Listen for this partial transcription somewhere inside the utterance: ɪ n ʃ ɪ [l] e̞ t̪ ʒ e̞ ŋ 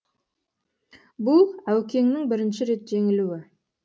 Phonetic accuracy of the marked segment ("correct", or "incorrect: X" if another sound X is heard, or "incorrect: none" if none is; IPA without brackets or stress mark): incorrect: ɾ